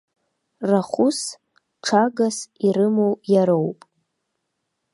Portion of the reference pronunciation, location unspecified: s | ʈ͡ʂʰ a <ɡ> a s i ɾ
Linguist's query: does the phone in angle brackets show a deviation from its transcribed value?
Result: no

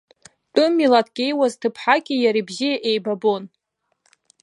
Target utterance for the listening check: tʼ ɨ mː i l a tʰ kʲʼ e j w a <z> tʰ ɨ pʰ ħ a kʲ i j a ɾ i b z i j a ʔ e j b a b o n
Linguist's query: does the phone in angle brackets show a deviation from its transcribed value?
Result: no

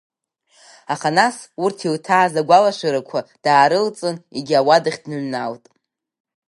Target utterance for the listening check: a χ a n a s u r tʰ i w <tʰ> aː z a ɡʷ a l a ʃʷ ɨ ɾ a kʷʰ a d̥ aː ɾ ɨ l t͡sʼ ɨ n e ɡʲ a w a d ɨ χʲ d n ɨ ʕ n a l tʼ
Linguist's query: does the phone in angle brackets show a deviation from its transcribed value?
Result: no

